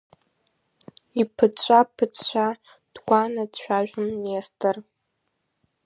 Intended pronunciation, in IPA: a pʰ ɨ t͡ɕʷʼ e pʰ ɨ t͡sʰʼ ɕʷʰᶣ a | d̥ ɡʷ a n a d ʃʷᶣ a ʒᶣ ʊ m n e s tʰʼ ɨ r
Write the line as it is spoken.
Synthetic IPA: i pʰ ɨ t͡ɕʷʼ a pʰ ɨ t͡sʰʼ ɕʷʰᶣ a | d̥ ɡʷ a n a d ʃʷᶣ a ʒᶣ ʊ m n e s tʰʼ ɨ r